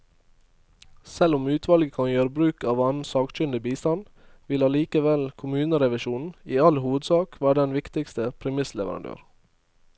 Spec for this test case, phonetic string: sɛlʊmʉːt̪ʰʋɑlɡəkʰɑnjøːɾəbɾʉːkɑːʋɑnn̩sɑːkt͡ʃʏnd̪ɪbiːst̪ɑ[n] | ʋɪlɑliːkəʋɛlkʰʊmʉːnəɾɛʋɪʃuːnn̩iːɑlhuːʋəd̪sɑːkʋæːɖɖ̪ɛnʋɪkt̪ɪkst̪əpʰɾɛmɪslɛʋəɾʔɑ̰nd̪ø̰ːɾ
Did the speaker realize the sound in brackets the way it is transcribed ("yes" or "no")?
yes